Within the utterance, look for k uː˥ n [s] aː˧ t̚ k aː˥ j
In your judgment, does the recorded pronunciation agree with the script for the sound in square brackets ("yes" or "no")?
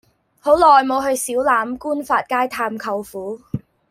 no